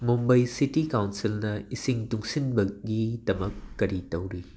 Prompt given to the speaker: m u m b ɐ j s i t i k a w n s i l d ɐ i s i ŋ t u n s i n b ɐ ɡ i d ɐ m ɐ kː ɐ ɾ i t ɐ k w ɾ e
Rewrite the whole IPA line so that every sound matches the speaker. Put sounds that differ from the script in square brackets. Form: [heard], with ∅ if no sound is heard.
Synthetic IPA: m u m b ɐ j s i t i k a w n s i l [n] ɐ i s i ŋ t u [ŋ] s i n b ɐ ɡ i d ɐ m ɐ kː ɐ ɾ i t ɐ [∅] w ɾ [i]